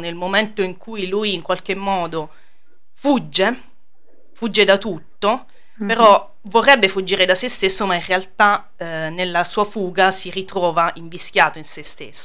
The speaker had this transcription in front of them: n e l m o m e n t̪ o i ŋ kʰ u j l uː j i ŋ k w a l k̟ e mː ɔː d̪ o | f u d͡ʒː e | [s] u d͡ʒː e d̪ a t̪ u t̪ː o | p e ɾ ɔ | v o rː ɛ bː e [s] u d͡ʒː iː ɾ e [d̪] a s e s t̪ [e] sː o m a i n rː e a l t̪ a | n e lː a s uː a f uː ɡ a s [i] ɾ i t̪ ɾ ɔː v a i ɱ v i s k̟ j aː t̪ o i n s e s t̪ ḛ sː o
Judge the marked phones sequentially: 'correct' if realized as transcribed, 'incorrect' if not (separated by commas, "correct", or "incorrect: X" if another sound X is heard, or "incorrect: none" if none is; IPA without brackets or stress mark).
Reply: incorrect: f, incorrect: f, correct, correct, correct